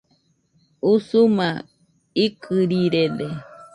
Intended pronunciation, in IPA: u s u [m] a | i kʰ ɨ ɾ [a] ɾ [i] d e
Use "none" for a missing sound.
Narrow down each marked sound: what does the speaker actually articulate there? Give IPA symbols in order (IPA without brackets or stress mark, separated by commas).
m, i, e